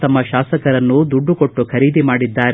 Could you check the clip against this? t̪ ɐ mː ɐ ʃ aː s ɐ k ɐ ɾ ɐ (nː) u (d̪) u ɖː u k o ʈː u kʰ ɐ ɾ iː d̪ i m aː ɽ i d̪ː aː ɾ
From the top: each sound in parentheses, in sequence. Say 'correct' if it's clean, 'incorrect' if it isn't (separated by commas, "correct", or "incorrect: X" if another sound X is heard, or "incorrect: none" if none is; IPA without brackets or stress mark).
correct, correct